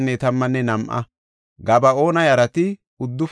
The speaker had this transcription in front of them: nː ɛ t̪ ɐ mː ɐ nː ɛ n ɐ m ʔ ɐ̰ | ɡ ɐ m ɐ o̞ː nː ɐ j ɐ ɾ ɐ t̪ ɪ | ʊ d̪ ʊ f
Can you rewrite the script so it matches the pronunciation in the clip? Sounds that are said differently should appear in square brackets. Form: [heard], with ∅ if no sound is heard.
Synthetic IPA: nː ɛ t̪ ɐ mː ɐ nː ɛ n ɐ m ʔ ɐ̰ | ɡ ɐ [b] ɐ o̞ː [n] ɐ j ɐ ɾ ɐ t̪ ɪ | ʊ [d̪ː] ʊ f